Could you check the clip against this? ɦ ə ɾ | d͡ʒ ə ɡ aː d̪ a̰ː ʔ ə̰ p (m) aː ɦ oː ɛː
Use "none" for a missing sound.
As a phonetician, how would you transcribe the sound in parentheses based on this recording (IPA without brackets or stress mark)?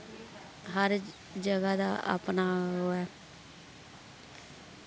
n